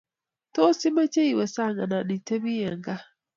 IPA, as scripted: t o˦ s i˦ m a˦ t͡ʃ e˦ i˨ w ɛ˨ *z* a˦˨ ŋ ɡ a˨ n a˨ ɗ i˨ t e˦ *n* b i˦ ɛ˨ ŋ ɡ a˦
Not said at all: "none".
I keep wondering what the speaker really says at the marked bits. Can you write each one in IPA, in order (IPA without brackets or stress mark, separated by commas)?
s, none